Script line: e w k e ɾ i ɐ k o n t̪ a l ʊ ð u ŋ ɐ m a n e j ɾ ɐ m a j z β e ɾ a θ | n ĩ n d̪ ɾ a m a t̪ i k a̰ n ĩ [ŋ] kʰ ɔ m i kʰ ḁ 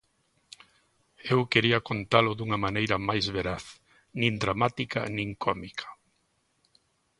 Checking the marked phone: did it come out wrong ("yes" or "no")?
no